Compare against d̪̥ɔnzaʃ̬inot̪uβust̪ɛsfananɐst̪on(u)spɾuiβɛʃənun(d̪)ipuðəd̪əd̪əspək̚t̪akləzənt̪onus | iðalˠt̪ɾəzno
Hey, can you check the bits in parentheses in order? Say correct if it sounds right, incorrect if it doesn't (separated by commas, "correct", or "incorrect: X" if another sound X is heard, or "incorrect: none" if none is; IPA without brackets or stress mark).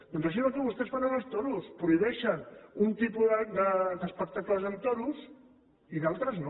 correct, incorrect: t̪